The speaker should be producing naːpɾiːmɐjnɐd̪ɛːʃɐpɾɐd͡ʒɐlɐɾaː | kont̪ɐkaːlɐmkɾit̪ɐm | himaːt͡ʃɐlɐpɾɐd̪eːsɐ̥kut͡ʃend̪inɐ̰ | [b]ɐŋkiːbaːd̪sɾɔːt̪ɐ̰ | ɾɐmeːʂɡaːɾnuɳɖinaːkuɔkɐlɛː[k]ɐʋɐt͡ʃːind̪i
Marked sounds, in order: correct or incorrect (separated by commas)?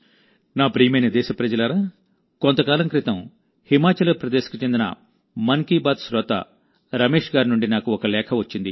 incorrect, incorrect